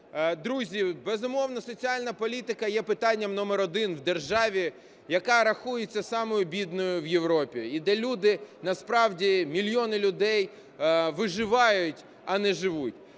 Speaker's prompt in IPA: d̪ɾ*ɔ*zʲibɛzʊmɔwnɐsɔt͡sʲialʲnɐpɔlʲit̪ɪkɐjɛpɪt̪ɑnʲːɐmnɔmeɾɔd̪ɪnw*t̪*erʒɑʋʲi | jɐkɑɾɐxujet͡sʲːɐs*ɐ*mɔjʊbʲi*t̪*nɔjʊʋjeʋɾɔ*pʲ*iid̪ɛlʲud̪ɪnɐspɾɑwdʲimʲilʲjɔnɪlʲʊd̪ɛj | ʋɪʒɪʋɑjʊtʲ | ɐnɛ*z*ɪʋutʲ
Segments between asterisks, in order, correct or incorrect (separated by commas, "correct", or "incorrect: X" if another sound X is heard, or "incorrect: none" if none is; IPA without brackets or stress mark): incorrect: u, incorrect: d̪, incorrect: ɑ, incorrect: d̪, correct, incorrect: ʒ